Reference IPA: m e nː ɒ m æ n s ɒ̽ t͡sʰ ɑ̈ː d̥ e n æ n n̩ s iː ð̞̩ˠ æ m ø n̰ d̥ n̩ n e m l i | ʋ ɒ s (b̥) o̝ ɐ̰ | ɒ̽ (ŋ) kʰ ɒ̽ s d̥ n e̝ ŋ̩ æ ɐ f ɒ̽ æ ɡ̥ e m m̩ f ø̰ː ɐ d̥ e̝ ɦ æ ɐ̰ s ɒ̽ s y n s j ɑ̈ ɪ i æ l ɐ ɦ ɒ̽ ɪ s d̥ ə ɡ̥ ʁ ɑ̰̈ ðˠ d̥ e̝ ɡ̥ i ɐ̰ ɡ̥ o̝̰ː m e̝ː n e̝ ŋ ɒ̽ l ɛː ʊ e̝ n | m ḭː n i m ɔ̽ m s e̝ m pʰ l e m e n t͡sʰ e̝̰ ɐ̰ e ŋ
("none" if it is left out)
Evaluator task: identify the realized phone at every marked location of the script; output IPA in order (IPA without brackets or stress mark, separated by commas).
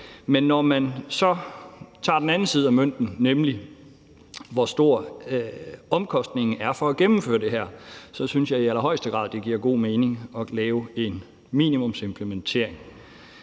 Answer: d̥, m